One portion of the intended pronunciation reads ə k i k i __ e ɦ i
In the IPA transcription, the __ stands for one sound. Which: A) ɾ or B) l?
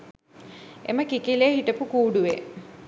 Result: B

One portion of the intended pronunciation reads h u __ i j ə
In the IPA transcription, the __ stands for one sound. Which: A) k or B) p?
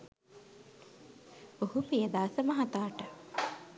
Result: B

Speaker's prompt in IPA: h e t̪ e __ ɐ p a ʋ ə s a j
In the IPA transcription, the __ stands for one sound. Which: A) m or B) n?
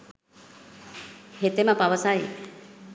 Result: A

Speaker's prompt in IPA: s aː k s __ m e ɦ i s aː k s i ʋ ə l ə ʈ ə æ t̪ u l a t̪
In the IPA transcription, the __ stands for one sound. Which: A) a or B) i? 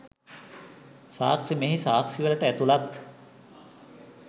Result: B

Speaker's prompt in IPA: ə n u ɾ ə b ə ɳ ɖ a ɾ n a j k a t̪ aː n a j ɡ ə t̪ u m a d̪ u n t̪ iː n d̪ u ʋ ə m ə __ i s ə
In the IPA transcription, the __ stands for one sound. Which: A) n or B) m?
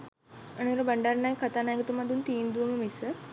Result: B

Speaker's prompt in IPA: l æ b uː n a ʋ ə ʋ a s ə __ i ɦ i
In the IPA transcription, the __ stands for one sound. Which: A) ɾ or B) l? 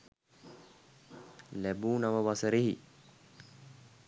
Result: A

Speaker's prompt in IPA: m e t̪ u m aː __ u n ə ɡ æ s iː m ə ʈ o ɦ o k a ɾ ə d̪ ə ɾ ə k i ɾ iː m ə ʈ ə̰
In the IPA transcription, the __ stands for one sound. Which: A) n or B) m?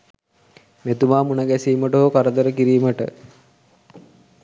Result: B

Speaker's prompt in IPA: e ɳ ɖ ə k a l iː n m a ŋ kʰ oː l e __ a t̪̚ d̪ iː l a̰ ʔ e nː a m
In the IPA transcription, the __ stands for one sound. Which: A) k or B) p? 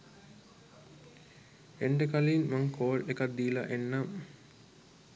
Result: A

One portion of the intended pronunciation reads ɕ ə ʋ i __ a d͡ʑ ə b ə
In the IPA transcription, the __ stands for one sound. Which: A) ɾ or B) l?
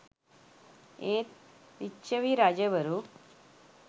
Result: A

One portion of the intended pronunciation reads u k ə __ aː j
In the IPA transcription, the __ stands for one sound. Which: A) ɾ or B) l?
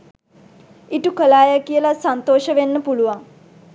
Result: B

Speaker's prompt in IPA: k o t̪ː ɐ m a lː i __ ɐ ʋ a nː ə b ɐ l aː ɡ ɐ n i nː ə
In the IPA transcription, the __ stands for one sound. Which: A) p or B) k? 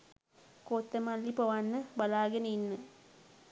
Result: A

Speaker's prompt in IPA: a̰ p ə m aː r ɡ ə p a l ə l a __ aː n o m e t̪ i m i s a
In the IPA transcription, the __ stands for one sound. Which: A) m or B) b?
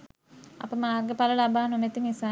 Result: B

